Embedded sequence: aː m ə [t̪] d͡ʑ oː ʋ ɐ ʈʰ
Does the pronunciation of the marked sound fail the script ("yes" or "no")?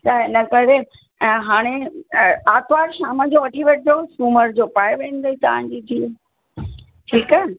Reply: yes